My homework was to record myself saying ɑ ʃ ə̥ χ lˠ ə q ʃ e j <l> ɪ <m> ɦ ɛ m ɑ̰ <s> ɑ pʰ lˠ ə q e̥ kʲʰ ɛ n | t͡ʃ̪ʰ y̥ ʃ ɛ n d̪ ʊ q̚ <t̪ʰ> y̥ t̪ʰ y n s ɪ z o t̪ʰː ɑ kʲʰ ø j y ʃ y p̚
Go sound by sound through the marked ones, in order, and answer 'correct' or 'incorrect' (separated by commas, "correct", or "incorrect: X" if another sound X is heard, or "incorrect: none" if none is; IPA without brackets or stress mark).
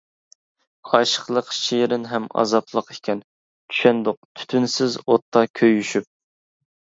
incorrect: ɾ, incorrect: n, incorrect: z, correct